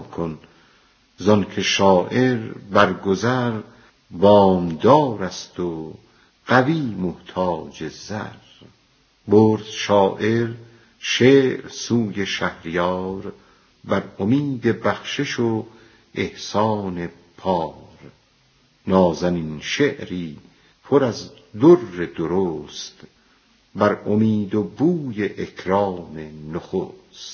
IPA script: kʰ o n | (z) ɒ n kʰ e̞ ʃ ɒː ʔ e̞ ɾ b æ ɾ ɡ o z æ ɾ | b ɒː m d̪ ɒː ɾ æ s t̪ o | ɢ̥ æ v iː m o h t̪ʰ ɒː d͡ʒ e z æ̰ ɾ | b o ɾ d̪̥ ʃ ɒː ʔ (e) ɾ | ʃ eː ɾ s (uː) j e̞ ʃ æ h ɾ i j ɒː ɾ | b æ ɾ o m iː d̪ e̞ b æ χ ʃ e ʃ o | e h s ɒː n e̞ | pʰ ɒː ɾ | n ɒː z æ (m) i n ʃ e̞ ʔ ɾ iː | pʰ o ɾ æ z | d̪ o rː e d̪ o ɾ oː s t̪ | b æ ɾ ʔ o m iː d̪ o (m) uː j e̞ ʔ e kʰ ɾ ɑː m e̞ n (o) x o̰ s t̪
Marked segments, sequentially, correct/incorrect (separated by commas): correct, correct, correct, incorrect, incorrect, correct